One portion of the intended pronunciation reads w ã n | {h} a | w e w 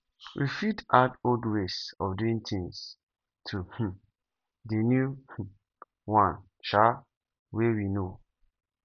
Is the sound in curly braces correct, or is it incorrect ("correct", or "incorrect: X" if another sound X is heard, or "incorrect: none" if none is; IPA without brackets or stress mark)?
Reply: incorrect: ʃ